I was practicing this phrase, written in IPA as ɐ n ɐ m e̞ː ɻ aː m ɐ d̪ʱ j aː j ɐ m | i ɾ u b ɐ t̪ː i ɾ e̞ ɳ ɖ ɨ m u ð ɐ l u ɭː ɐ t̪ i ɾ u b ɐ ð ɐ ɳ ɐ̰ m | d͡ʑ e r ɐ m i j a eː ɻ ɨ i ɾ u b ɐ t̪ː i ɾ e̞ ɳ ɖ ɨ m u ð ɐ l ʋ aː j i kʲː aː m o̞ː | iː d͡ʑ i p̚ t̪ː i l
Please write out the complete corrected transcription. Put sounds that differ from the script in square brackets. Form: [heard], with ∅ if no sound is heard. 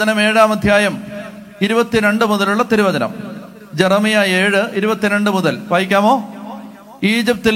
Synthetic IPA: ɐ n ɐ m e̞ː ɻ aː m ɐ d̪ʱ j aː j ɐ m | i ɾ u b ɐ t̪ː i ɾ e̞ ɳ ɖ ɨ m u ð ɐ l u ɭː ɐ t̪ i ɾ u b ɐ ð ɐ [n] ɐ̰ m | d͡ʑ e r ɐ m i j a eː ɻ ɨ i ɾ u b ɐ t̪ː i ɾ e̞ ɳ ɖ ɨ m u ð ɐ l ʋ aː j i kʲː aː m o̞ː | iː d͡ʑ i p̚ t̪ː i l